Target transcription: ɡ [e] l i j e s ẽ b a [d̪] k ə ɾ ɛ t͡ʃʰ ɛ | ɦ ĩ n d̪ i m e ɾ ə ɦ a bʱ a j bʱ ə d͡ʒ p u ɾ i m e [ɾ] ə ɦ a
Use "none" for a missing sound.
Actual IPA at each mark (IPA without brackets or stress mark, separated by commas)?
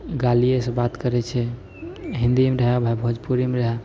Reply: a, t̪, ɾ